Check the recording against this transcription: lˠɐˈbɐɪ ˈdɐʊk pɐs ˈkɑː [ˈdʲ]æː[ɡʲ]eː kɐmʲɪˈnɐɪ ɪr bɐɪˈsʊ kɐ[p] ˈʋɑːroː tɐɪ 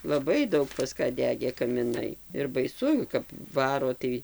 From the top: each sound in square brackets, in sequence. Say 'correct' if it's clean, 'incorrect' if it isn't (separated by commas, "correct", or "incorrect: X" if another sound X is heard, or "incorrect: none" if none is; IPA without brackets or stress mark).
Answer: correct, correct, correct